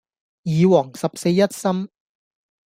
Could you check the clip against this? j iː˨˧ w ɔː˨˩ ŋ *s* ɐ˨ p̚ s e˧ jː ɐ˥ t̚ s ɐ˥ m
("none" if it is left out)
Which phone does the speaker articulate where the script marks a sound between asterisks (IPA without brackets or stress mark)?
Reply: s